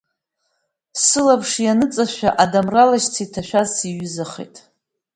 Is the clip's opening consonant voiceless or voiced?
voiceless